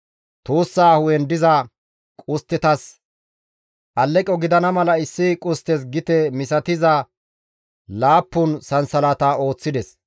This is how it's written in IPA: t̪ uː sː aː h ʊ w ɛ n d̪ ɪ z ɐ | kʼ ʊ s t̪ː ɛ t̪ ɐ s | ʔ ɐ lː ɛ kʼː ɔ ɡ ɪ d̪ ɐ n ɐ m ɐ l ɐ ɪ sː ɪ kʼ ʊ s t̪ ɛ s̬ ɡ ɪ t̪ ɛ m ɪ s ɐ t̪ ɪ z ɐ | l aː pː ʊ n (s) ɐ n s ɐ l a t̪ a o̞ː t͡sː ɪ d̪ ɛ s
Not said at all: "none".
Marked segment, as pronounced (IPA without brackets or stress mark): s